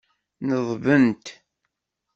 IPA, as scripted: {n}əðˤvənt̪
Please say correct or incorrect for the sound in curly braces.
correct